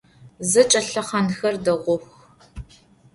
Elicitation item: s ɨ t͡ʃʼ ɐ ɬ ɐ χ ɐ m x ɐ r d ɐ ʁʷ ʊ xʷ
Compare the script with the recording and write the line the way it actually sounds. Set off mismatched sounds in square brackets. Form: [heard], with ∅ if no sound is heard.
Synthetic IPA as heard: [z] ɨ t͡ʃʼ ɐ ɬ ɐ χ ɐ [n] x ɐ r d ɐ ʁʷ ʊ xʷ